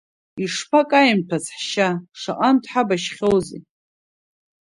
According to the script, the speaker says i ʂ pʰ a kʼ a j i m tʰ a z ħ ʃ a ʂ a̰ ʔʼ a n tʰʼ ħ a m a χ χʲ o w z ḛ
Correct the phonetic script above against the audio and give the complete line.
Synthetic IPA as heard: i ʂ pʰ a kʼ a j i m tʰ a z ħ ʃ a ʂ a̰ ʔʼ a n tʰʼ ħ a b a ʃ χʲ o w z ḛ